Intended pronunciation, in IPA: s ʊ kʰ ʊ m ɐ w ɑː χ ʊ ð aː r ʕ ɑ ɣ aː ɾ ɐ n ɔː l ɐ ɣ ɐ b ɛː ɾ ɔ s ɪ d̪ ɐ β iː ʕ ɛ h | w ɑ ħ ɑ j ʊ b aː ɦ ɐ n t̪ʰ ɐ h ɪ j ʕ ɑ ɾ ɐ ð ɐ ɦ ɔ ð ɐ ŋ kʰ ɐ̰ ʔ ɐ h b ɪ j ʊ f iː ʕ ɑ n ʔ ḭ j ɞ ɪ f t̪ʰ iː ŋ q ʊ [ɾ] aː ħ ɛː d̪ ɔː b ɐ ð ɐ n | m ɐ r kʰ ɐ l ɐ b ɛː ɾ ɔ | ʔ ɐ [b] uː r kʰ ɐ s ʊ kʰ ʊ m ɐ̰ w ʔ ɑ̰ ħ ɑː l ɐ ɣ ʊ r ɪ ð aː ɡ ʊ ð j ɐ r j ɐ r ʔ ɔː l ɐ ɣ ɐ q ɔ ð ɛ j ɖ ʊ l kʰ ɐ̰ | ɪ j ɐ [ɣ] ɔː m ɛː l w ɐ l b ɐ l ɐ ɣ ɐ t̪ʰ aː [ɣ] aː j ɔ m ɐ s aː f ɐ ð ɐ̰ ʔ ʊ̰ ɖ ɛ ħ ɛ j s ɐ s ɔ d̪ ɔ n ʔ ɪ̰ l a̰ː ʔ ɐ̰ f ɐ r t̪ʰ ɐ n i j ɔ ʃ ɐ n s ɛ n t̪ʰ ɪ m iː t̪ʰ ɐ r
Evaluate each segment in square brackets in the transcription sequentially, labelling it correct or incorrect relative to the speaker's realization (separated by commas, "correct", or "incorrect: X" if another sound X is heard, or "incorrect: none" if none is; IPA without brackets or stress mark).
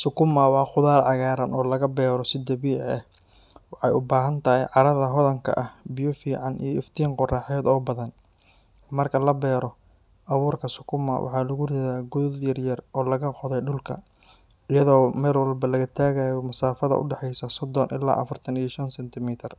incorrect: r, incorrect: β, incorrect: ð, correct